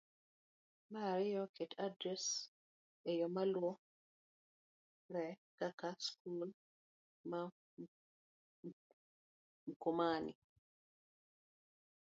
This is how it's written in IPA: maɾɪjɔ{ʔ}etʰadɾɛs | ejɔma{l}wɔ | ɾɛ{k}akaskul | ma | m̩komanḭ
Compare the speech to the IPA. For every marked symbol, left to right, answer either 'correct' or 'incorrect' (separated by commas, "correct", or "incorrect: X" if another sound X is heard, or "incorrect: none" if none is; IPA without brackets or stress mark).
incorrect: k, correct, correct